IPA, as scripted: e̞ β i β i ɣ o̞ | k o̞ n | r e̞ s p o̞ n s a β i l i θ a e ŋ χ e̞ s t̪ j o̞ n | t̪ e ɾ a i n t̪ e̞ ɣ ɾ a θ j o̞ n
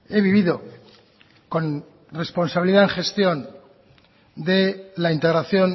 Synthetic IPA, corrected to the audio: e̞ β i β i ð o̞ | k o̞ n | r e̞ s p o̞ n s a β i l i ð a e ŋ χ e̞ s t̪ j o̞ n | d̪ e l a i n t̪ e̞ ɣ ɾ a θ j o̞ n